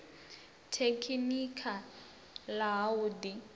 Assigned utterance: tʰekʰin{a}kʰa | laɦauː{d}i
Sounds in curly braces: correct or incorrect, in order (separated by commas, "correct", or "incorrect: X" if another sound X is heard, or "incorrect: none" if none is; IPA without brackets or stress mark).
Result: incorrect: i, correct